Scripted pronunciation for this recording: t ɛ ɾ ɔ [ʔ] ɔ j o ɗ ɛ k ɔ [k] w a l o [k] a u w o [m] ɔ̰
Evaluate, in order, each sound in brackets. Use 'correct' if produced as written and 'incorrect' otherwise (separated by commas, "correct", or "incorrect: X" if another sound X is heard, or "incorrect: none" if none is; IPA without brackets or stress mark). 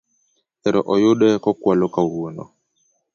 correct, correct, correct, incorrect: n